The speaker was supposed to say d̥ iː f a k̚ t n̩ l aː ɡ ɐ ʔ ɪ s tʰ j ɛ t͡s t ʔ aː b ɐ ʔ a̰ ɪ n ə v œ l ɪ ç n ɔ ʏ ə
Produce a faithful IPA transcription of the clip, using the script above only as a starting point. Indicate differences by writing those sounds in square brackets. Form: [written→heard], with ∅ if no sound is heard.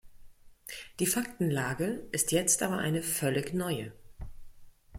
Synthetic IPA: d̥ iː f a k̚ t n̩ l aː ɡ [ɐ→ə] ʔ ɪ s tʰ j ɛ t͡s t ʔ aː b ɐ ʔ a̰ ɪ n ə [v→f] œ l ɪ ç n ɔ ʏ ə